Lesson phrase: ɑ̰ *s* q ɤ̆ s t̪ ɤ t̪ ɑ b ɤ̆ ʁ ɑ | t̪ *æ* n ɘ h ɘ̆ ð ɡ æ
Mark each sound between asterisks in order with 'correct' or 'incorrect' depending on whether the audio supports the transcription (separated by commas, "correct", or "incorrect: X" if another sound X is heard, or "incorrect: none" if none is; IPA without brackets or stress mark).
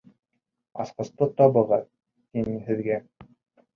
correct, incorrect: i